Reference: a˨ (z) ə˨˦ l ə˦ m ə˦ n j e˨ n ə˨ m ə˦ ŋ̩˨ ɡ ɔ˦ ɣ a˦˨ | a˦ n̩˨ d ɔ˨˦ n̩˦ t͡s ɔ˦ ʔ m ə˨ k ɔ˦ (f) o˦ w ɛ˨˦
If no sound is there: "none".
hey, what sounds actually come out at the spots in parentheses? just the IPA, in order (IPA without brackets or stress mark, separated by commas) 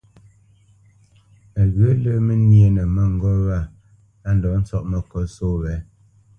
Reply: ɣ, s